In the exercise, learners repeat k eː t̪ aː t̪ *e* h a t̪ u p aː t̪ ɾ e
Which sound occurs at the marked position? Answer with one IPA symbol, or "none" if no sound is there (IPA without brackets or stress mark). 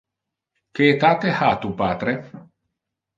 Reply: e